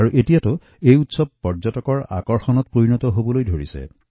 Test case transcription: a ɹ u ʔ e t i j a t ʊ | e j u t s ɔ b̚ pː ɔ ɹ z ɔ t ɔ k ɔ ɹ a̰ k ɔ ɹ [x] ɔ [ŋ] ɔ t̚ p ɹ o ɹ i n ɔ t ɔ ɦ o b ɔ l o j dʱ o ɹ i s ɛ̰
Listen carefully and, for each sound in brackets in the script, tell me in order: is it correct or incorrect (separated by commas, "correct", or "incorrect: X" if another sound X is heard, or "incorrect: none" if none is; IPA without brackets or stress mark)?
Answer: correct, incorrect: n